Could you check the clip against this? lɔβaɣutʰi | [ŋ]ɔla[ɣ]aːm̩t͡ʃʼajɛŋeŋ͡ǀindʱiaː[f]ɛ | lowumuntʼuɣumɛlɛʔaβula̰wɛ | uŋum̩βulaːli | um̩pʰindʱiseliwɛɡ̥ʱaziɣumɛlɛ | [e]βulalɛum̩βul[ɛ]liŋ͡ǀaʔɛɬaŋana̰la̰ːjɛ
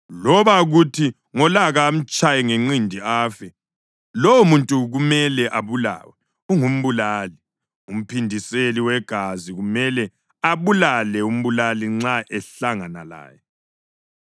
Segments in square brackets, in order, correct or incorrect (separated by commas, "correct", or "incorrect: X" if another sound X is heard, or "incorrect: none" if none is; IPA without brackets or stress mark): correct, correct, correct, incorrect: a, incorrect: a